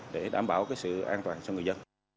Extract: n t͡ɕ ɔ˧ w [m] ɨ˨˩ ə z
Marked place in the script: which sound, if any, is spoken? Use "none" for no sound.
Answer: ŋ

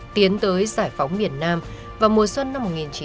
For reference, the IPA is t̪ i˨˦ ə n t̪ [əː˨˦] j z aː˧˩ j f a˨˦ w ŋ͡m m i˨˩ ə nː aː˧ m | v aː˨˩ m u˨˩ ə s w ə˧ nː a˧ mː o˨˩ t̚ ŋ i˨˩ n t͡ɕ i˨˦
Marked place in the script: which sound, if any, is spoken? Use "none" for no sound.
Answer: əː˨˦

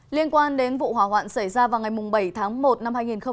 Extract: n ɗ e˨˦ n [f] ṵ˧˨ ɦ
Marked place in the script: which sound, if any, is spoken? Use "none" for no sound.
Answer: v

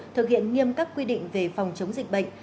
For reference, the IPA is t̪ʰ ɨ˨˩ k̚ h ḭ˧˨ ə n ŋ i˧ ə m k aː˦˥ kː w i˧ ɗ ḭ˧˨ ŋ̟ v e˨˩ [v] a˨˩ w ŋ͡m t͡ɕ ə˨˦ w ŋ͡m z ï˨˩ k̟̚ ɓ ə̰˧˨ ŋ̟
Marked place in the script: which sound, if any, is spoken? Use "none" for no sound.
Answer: f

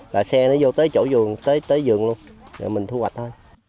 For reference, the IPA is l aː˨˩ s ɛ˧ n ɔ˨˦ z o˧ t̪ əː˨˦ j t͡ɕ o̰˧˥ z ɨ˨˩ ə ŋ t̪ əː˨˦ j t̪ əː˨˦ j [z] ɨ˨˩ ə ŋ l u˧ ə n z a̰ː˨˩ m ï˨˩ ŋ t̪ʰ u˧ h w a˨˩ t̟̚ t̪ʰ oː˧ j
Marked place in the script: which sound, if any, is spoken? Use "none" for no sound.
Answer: z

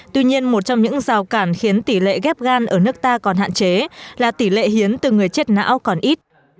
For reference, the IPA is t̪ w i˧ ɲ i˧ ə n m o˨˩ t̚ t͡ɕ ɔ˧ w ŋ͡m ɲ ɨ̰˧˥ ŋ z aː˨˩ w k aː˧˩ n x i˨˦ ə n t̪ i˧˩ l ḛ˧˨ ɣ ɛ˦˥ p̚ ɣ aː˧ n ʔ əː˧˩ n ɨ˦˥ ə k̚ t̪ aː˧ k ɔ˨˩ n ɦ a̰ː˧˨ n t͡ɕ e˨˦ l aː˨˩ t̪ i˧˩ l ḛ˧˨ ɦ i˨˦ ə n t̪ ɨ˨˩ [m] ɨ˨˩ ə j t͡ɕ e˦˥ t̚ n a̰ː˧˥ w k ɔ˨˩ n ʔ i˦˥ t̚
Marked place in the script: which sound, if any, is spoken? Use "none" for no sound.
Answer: ŋ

